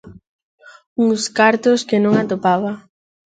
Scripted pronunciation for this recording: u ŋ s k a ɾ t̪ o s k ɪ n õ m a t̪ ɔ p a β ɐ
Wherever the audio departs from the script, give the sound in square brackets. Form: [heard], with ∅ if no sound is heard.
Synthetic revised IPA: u ŋ s k a ɾ t̪ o s k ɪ n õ [ŋ] a t̪ [o] p a β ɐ